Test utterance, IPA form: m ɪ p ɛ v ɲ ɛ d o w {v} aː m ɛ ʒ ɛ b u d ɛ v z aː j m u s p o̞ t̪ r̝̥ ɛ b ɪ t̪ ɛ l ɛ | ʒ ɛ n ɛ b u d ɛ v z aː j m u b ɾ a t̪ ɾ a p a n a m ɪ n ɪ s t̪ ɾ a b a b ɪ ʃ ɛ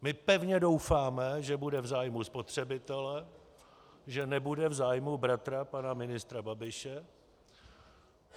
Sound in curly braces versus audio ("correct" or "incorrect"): incorrect